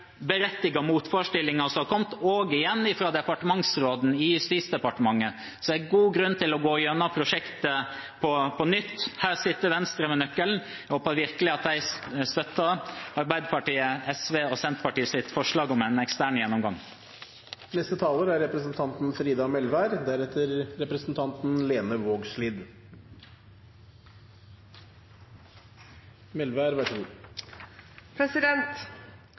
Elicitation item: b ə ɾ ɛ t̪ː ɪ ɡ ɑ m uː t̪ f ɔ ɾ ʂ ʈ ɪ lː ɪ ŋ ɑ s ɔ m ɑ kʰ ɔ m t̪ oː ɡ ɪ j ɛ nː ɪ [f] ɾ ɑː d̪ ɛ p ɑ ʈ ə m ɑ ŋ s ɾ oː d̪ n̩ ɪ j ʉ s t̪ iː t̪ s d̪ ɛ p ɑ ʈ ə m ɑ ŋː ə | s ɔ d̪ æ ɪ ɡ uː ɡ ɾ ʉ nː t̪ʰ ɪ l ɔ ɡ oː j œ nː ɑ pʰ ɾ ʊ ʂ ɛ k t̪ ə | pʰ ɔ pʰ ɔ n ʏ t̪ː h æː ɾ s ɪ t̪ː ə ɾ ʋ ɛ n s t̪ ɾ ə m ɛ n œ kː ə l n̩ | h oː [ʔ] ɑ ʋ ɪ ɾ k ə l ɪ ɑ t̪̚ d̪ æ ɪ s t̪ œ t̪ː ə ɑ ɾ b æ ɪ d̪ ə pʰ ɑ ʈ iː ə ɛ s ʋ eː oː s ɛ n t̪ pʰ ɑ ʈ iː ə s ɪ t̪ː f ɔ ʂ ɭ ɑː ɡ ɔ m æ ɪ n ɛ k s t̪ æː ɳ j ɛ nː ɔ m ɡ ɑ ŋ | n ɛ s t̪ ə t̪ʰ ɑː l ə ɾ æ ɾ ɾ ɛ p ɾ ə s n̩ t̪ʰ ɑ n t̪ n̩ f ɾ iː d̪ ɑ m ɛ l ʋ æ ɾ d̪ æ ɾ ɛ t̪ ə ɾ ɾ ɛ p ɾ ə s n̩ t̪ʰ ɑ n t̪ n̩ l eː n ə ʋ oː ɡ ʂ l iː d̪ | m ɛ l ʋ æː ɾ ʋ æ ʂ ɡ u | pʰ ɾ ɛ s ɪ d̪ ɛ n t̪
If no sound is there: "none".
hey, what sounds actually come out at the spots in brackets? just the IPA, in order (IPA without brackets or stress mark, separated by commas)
f, p